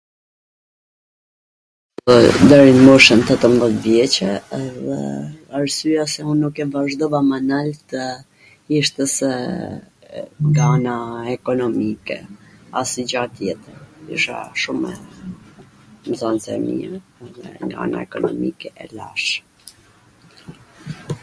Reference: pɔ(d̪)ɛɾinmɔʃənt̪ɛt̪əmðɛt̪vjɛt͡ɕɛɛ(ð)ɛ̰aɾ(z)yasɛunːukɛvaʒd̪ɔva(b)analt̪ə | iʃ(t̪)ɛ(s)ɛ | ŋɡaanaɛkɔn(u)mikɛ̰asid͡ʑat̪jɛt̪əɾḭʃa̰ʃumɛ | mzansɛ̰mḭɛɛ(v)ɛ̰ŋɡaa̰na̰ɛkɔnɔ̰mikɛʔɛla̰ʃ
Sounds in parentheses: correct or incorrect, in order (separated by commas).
correct, correct, incorrect, incorrect, correct, correct, incorrect, incorrect